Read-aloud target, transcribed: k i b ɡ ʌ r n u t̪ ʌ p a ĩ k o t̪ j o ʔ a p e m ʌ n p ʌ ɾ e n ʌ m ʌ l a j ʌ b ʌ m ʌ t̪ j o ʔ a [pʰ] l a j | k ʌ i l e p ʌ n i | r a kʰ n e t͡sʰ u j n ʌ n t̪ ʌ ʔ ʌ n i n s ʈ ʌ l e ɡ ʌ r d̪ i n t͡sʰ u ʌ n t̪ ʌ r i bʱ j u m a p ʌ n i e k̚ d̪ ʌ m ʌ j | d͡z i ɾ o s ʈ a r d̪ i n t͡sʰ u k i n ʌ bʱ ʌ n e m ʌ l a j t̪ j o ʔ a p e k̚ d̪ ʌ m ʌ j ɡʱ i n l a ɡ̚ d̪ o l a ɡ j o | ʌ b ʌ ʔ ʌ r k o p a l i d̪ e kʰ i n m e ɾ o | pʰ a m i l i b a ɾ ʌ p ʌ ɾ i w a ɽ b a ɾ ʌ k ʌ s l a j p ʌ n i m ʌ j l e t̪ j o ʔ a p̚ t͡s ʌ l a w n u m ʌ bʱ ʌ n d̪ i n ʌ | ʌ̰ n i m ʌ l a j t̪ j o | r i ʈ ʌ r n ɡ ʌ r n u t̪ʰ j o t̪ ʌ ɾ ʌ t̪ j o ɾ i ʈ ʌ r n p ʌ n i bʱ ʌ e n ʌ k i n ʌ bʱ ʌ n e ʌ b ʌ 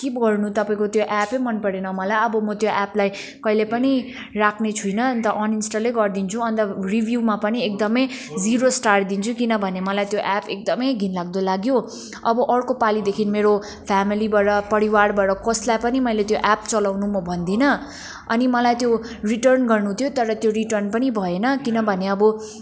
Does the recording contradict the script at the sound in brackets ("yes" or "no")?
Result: yes